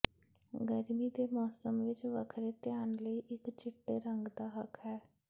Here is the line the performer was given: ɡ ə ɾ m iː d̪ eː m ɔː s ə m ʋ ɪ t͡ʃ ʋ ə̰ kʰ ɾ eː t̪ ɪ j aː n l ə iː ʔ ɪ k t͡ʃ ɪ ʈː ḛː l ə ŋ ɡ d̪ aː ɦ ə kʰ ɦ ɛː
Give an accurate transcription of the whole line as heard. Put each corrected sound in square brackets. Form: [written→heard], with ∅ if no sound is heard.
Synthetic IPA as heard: ɡ ə ɾ m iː d̪ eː m ɔː s ə m ʋ ɪ t͡ʃ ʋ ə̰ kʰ ɾ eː t̪ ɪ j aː n l ə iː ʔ ɪ k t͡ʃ ɪ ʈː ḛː [l→ɾ] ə ŋ ɡ d̪ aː ɦ ə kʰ ɦ ɛː